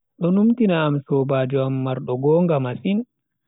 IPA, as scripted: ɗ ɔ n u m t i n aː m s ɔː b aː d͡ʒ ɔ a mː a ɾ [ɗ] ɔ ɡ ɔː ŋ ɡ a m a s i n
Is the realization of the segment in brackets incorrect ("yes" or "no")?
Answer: no